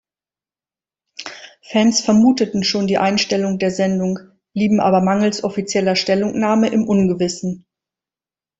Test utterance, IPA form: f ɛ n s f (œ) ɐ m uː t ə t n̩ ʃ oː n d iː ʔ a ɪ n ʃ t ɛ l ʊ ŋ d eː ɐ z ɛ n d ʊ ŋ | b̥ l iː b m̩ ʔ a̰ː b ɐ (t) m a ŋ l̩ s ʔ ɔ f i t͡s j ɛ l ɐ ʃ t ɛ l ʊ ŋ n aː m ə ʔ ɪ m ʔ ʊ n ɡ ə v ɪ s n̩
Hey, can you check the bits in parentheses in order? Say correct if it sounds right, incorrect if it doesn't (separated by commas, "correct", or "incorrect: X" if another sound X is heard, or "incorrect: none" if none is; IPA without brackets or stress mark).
incorrect: ɛ, incorrect: none